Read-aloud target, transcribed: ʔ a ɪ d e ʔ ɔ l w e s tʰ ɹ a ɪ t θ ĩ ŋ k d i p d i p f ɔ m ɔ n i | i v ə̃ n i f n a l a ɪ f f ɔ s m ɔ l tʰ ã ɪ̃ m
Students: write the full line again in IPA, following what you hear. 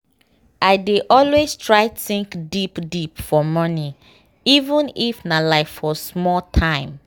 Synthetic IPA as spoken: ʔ a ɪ d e ʔ ɔ l w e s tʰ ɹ a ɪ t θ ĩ ŋ k d i p d i p f ɔ m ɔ n i | i v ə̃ n i f n a l a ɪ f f ɔ s m ɔ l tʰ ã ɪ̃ m

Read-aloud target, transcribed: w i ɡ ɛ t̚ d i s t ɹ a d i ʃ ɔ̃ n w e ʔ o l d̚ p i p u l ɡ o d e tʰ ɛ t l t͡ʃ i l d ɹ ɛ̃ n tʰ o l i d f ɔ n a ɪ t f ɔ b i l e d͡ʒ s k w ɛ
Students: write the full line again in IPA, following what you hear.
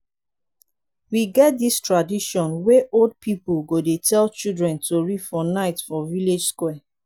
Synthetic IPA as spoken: w i ɡ ɛ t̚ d i s t ɹ a d i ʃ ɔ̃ n w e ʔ o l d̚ p i p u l ɡ o d e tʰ ɛ l t͡ʃ i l d ɹ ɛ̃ n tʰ o ɹ i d f ɔ n a ɪ t f ɔ v i l e d͡ʒ s k w ɛ

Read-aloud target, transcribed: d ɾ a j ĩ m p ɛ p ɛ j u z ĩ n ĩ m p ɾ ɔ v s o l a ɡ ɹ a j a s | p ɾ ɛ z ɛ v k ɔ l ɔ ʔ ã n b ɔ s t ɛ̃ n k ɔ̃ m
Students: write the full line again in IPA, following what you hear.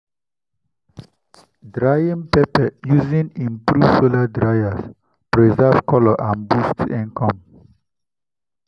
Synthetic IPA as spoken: d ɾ a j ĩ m p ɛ p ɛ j u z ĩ n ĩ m p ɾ u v s o l a d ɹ a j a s | p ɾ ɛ z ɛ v k ɔ l ɔ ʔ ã n b u s t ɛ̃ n k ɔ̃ m

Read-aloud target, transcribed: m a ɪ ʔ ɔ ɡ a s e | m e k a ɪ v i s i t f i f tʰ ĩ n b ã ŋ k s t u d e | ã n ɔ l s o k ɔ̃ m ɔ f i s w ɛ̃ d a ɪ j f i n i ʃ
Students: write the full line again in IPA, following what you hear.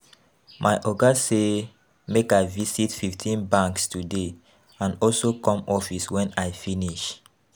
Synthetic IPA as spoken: m a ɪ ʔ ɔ ɡ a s e | m e k a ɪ v i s i t f i f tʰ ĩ n b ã ŋ k s t u d e | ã n ɔ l s o k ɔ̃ m ɔ f i s w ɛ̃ n a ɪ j f i n i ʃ

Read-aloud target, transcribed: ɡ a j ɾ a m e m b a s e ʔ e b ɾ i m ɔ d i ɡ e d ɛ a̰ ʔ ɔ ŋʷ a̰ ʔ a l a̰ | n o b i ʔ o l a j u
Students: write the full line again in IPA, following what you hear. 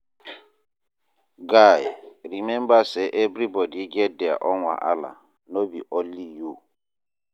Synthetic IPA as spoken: ɡ a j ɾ i m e m b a s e ʔ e b ɾ i b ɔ d i ɡ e d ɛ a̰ ʔ ɔ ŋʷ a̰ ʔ a l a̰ | n o b i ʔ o l i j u

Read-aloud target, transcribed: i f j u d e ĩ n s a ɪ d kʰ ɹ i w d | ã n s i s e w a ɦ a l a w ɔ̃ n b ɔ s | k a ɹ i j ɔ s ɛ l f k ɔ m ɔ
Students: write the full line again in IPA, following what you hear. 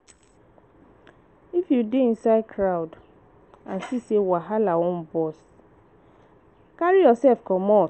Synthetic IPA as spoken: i f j u d e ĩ n s a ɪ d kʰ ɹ a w d | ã n s i s e w a ɦ a l a w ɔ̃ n b ɔ s | k a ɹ i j ɔ s ɛ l f k ɔ m ɔ

